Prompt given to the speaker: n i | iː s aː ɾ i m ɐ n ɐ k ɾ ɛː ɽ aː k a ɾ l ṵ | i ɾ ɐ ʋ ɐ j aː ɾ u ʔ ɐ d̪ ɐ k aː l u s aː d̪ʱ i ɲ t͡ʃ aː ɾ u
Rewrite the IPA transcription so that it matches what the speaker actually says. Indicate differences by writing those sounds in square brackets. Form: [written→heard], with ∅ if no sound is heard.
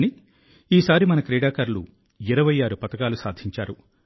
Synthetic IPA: n i | iː s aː ɾ i m ɐ n ɐ k ɾ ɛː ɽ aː k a ɾ l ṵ | i ɾ ɐ ʋ ɐ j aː ɾ u [ʔ→p] ɐ [d̪→t̪] ɐ k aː l u s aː d̪ʱ i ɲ t͡ʃ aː ɾ u